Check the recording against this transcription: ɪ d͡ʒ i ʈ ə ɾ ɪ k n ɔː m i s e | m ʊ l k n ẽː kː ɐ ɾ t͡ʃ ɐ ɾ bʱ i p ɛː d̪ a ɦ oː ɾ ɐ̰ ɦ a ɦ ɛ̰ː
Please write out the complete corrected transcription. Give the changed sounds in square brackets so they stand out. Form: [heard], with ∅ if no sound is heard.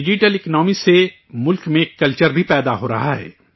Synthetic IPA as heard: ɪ d͡ʒ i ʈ ə [l] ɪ k n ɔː m i s e | m ʊ l k [m] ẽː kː ɐ [l] t͡ʃ [ə] ɾ bʱ i p ɛː d̪ a ɦ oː ɾ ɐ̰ ɦ a ɦ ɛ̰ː